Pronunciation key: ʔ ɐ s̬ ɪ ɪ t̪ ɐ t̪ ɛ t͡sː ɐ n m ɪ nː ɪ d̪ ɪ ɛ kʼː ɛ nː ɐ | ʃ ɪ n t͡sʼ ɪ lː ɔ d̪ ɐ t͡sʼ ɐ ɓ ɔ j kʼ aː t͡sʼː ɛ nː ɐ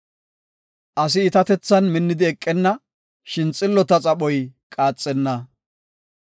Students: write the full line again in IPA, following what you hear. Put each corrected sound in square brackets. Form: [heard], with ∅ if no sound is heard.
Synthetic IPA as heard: ʔ ɐ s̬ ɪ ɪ t̪ ɐ t̪ ɛ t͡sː ɐ n m ɪ nː ɪ d̪ ɪ ɛ kʼː ɛ nː ɐ | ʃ ɪ n t͡sʼ ɪ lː ɔ [t̪] ɐ t͡sʼ ɐ ɓ ɔ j kʼ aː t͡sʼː ɛ nː ɐ